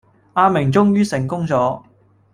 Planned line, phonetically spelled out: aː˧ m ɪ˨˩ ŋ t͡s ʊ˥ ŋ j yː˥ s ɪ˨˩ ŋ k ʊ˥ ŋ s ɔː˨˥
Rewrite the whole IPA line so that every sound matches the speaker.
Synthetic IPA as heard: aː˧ m ɪ˨˩ ŋ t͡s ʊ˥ ŋ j yː˥ s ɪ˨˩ ŋ k ʊ˥ ŋ t͡s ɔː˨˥